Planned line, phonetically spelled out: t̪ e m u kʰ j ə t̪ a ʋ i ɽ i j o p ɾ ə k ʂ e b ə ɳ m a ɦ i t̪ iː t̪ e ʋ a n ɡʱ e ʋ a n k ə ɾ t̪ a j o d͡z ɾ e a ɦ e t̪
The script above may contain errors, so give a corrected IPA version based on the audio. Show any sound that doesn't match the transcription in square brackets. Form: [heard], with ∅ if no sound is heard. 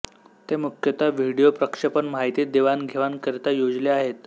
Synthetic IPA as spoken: t̪ e m u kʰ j ə t̪ a ʋ i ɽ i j o p ɾ ə k ʂ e [p] ə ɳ m a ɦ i t̪ iː [d̪] e ʋ a n ɡʱ e ʋ a n k ə ɾ t̪ a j o d͡z [l] e a ɦ e t̪